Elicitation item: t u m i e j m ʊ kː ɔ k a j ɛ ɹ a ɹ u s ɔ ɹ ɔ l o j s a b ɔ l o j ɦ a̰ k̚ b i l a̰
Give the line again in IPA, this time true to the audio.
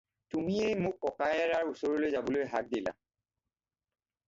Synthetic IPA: t u m i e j m ʊ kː ɔ k a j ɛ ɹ a ɹ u s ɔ ɹ ɔ l o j z a b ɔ l o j ɦ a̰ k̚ d i l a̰